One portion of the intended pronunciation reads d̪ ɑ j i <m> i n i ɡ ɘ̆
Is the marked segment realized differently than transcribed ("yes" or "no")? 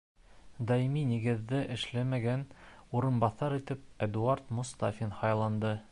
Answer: no